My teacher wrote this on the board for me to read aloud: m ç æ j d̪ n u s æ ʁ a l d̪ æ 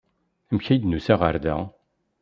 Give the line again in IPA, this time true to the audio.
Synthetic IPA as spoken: m ç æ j d̪ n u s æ ʁ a ɾ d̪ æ